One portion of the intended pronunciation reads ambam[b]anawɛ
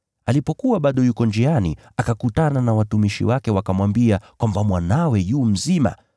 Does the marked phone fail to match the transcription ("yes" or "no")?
yes